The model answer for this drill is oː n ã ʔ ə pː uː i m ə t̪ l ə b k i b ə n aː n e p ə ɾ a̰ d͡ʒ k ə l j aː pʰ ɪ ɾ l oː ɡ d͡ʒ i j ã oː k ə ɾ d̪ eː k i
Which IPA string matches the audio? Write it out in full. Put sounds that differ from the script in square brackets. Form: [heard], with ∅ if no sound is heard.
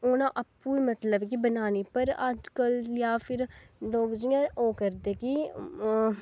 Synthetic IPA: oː n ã ʔ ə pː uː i m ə t̪ l ə b k i b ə n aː n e p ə ɾ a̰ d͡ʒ k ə l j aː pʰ ɪ ɾ l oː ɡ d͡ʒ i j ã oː k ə ɾ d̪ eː k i